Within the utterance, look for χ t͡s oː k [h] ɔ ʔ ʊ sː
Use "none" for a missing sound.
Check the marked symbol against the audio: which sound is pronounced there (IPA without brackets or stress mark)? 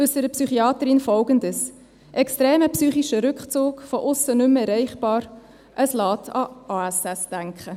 f